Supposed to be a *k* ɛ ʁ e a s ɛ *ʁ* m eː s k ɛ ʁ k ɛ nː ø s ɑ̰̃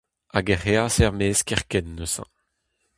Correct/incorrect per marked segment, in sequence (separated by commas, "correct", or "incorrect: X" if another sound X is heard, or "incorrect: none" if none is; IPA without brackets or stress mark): incorrect: ɡ, correct